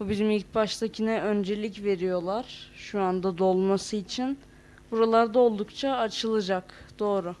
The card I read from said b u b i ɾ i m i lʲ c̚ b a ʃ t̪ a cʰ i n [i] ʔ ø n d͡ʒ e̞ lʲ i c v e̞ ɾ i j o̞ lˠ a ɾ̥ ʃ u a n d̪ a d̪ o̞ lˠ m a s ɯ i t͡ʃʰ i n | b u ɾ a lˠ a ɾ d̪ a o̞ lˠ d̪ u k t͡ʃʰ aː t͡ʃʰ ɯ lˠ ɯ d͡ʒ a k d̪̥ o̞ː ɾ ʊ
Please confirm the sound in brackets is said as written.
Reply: no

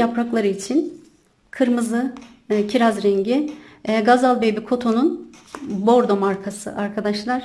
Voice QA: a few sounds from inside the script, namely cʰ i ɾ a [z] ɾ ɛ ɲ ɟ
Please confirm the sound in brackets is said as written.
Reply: yes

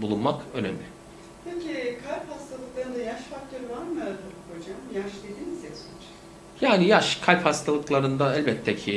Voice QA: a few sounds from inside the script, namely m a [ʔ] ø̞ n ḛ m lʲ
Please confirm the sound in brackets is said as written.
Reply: no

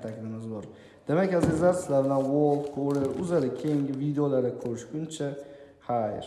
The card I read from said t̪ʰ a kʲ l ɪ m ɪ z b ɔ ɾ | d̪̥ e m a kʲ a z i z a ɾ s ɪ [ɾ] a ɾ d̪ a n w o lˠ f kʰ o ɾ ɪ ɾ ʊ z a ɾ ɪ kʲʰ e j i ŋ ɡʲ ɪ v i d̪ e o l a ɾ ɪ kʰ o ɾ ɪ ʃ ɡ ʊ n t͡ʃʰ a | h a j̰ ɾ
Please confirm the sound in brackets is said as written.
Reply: no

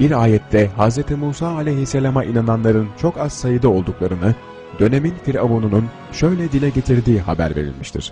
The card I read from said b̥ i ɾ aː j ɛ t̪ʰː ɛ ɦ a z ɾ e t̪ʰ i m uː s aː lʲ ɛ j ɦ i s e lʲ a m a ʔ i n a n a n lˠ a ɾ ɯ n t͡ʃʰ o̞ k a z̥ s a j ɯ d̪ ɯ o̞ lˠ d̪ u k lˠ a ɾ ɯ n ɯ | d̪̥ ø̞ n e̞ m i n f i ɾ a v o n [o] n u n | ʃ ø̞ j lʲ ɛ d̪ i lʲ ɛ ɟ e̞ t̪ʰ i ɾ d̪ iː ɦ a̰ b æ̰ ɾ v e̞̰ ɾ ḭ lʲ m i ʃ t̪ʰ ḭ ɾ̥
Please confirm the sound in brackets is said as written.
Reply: no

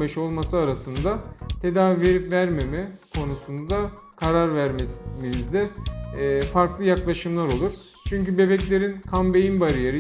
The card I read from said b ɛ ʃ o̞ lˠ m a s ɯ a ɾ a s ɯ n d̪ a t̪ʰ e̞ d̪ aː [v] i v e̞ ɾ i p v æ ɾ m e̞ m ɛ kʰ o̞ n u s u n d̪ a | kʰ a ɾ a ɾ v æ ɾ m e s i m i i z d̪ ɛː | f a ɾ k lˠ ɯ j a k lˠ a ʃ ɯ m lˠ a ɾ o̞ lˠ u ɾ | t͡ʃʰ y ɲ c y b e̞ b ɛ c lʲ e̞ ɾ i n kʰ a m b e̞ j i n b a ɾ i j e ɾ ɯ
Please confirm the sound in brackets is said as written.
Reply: yes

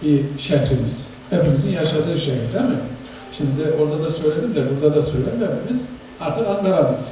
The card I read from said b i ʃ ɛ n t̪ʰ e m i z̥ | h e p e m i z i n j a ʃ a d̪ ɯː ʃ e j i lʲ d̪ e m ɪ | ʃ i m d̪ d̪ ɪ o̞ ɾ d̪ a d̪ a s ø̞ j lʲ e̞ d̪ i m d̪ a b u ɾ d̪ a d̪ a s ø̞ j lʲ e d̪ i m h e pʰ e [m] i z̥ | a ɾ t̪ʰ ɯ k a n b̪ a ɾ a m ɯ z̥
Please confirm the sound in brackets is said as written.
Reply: yes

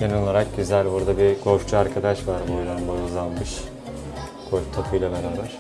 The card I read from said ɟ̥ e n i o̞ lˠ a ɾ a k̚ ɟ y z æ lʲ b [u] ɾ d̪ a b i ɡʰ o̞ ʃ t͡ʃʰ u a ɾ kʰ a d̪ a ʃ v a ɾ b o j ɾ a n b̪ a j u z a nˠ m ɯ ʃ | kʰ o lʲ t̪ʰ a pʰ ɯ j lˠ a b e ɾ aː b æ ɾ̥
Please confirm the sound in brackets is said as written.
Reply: yes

